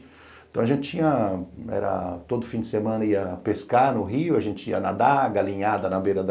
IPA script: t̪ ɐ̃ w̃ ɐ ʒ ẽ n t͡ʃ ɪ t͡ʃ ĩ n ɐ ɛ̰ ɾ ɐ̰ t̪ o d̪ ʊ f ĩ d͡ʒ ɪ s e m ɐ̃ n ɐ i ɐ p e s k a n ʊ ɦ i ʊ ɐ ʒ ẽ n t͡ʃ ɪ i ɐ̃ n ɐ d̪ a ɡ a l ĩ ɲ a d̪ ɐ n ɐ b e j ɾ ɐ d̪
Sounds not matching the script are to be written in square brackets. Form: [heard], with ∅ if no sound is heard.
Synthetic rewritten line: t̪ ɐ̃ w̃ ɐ ʒ ẽ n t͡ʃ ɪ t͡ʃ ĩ [ɲ] ɐ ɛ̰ ɾ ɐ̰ t̪ o d̪ ʊ f ĩ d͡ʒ ɪ s e m ɐ̃ n ɐ i ɐ p e s k a n ʊ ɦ i ʊ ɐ ʒ ẽ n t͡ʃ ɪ i [ɐ] n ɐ d̪ a ɡ a l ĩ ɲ a d̪ ɐ n ɐ b e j ɾ ɐ d̪